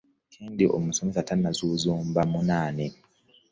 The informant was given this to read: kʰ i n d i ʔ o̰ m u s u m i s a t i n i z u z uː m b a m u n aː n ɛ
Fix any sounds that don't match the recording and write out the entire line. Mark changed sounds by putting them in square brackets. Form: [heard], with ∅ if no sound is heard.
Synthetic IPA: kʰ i n d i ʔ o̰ m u s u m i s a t [a] n [a] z u z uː m b a m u n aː n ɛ